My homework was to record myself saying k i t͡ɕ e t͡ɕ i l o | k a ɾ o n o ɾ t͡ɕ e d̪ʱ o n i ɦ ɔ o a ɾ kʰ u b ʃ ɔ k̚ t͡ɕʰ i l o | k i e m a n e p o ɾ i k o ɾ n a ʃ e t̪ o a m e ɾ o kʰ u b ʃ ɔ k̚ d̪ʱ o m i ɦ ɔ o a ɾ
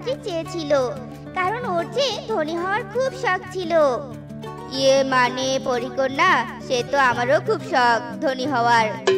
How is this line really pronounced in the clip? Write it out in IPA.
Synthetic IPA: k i t͡ɕ e t͡ɕʰ i l o | k a ɾ o n o ɾ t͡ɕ e d̪ʱ o n i ɦ ɔ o a ɾ kʰ u b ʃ ɔ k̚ t͡ɕʰ i l o | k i e m a n e p o ɾ i k o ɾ n a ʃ e t̪ o a m a ɾ o kʰ u b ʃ ɔ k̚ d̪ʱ o n i ɦ ɔ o a ɾ

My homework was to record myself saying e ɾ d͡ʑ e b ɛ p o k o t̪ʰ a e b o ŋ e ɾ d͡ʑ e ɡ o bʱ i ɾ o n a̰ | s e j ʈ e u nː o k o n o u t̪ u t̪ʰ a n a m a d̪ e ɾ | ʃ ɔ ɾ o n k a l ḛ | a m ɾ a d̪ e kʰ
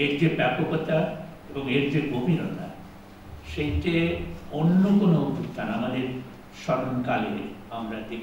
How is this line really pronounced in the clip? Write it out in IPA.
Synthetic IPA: e ɾ d͡ʑ e b ɛ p o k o t̪ a e b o ŋ e ɾ d͡ʑ e ɡ o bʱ i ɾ o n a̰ | ʃ e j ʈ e o nː o k o n o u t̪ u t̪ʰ a n a m a d̪ e ɾ | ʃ ɔ ɾ o n k a l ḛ | a m ɾ a d̪ e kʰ

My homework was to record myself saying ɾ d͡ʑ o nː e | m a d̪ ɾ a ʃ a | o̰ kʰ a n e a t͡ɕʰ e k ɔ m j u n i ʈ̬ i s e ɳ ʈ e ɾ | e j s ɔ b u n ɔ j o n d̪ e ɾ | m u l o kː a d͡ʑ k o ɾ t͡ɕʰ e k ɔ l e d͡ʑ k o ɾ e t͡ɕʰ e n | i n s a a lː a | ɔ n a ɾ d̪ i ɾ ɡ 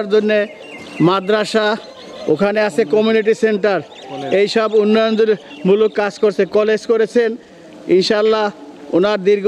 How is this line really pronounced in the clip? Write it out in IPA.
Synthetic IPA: ɾ d͡ʑ o nː e | m a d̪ ɾ a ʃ a | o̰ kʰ a n e a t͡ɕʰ e k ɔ m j u n i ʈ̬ i s e ɳ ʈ a ɾ | e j ʃ ɔ b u nː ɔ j o n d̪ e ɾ | m u l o kː a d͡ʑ k o ɾ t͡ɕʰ e k ɔ l e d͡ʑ k o ɾ e t͡ɕʰ e n | i n ʃ a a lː a | o n a ɾ d̪ i ɾ ɡ

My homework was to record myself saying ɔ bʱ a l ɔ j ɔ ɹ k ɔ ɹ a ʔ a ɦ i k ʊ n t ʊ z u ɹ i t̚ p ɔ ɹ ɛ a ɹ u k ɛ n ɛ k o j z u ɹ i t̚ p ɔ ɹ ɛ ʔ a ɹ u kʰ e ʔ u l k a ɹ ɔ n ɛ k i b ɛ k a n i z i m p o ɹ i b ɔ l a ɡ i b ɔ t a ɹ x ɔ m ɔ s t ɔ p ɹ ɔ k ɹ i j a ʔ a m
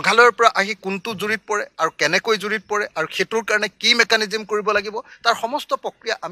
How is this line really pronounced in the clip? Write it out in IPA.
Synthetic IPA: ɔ ɡʱ a l ɔ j ɔ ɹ p ɔ ɹ a ʔ a ɦ i k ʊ n t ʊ z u ɹ i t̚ p ɔ ɹ ɛ a ɹ u k ɛ n ɛ k o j z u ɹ i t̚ p ɔ ɹ ɛ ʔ a ɹ u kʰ e t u ɹ k a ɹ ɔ n ɛ k i m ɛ k a n i z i m k o ɹ i b ɔ l a ɡ i b ɔ t a ɹ x ɔ m ɔ s t ɔ p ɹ ɔ k ɹ i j a ʔ a m

